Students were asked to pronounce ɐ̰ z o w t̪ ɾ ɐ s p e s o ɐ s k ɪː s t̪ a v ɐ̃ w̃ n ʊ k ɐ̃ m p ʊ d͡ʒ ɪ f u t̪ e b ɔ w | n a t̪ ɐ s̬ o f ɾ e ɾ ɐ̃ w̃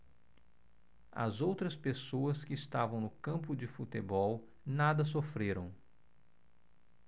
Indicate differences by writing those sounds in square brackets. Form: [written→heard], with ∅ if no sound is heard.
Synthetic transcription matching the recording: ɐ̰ z o w t̪ ɾ ɐ s p e s o ɐ s k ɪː s t̪ a v ɐ̃ w̃ n ʊ k ɐ̃ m p ʊ d͡ʒ ɪ f u t̪ e b ɔ w | n a [t̪→d̪] ɐ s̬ o f ɾ e ɾ ɐ̃ w̃